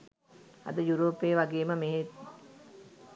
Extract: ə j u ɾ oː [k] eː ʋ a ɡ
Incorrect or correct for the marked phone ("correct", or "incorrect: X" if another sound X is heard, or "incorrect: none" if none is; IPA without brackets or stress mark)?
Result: incorrect: p